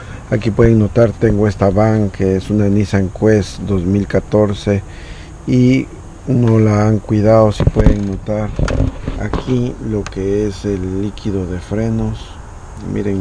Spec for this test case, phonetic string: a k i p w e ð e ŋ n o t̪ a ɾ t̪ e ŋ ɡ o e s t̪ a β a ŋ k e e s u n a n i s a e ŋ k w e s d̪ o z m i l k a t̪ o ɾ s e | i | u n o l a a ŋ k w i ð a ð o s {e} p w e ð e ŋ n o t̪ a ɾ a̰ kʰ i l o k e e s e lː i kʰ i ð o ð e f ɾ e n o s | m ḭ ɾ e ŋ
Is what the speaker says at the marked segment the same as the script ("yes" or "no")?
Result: no